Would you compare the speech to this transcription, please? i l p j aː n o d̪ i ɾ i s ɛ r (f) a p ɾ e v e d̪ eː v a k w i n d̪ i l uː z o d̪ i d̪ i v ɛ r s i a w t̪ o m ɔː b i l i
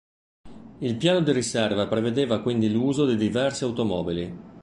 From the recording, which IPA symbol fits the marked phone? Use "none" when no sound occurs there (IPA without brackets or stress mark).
v